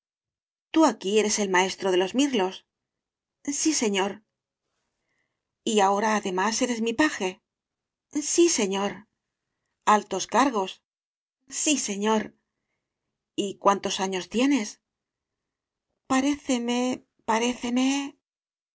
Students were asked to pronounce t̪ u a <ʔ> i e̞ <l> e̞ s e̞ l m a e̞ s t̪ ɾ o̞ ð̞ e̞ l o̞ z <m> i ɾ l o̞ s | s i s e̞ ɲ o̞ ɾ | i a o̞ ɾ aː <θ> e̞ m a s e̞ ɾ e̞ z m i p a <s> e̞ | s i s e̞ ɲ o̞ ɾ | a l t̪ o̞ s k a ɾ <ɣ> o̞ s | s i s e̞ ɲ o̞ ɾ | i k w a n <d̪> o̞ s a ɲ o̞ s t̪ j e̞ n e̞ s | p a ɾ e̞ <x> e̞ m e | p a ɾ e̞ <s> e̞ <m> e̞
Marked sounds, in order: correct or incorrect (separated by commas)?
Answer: incorrect, incorrect, correct, incorrect, incorrect, correct, incorrect, incorrect, incorrect, correct